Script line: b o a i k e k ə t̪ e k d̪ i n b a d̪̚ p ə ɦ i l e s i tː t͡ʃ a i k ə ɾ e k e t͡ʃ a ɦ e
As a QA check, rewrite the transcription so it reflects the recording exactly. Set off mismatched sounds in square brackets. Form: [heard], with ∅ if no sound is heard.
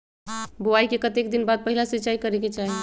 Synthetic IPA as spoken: b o a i k e k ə t̪ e k d̪ i n b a d̪̚ p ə ɦ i l [a] s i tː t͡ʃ a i k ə ɾ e k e t͡ʃ a ɦ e